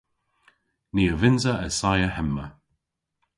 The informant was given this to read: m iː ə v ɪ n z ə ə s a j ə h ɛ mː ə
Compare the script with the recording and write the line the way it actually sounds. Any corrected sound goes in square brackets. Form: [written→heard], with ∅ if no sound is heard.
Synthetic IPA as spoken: [m→n] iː ə v ɪ n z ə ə s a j ə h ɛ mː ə